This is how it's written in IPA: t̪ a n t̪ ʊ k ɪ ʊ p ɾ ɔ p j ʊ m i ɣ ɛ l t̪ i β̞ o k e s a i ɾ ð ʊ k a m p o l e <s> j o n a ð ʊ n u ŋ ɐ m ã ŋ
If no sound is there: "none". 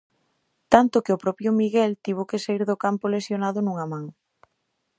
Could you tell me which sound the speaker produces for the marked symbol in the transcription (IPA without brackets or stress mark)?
s